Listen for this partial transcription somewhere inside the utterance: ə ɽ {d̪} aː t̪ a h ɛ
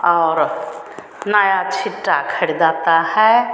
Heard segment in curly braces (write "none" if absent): d̪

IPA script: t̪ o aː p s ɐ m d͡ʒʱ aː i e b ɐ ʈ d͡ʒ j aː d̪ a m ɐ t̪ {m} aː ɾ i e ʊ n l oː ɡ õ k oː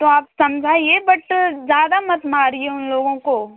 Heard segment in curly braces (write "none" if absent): m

